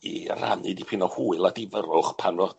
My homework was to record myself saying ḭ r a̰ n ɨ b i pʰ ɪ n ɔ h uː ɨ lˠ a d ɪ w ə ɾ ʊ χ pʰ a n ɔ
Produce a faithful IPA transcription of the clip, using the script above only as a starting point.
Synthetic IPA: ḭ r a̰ n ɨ d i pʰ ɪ n ɔ h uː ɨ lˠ a d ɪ v ə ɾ ʊ χ pʰ a n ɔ